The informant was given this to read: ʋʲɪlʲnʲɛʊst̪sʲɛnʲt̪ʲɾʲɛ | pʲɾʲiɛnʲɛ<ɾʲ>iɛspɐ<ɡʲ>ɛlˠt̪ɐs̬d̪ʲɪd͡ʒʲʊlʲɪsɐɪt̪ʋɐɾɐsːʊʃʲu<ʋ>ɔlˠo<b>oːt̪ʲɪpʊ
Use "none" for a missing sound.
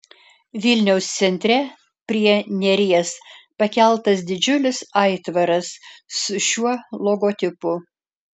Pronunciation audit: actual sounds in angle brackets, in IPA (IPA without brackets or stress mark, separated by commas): ɾʲ, kʲ, none, ɡ